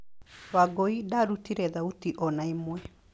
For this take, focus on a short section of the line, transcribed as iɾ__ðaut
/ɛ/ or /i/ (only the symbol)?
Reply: ɛ